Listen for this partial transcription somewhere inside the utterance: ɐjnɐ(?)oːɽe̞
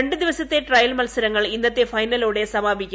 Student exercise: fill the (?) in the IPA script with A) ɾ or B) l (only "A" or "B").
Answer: B